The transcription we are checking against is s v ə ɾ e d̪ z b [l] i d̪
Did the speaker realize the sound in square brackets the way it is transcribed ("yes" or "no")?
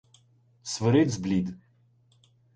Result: yes